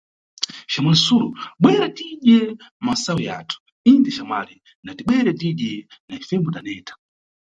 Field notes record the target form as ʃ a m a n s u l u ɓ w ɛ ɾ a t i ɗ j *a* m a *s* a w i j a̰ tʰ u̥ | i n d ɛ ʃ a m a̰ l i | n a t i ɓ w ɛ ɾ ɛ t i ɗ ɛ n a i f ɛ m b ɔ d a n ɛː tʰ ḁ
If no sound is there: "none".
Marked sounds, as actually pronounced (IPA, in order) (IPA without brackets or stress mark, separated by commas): ɛ, s